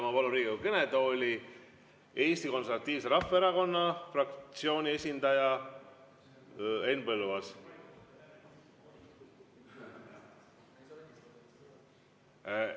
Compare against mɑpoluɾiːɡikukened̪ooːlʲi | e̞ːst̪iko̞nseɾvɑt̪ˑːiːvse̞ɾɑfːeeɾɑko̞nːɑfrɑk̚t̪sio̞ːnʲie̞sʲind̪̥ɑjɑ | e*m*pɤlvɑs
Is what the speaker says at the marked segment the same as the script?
no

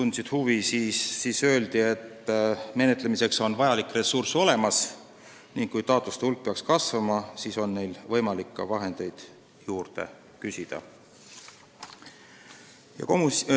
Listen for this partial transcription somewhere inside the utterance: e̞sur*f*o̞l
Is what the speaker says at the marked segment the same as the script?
no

